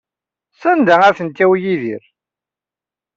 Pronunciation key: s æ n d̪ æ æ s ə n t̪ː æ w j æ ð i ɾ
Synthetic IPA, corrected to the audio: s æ n d̪ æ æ θ ə n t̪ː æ w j i ð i ɾ